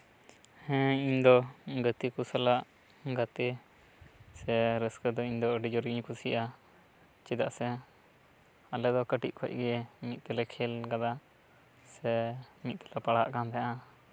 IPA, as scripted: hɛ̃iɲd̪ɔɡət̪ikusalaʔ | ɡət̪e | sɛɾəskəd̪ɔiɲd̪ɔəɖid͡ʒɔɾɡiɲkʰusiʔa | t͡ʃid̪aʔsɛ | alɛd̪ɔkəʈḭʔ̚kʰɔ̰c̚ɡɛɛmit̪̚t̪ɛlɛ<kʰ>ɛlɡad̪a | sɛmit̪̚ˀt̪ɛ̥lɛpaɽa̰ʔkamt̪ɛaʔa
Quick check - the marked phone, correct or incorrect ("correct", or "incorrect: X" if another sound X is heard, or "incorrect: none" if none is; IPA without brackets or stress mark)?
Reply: correct